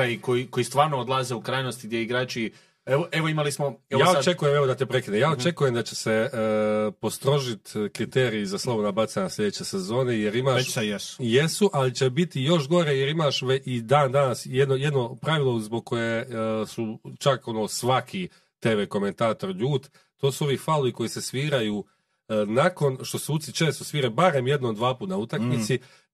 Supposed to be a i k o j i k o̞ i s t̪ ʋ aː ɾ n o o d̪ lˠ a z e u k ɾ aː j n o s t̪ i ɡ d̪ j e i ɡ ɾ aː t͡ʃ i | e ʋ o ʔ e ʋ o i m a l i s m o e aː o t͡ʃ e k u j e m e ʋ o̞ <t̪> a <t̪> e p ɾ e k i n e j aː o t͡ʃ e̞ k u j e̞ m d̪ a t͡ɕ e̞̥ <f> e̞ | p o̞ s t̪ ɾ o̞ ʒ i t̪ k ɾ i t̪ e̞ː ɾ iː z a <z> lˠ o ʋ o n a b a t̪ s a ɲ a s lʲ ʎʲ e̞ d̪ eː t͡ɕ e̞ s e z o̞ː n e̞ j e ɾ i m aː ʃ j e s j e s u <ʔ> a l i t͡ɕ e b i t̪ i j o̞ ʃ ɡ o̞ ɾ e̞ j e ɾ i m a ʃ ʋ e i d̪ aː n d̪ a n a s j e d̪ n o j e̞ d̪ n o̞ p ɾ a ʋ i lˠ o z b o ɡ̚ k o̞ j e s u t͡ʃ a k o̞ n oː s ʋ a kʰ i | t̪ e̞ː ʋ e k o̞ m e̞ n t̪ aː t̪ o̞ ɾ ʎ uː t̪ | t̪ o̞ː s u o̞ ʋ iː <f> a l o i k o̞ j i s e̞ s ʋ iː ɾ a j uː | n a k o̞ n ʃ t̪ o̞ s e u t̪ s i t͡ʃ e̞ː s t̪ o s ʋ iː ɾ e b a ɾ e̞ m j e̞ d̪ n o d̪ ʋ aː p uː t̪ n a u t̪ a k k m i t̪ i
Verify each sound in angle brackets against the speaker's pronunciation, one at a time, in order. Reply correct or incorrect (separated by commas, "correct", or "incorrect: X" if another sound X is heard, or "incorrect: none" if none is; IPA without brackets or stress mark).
incorrect: d̪, correct, incorrect: s, incorrect: s, correct, correct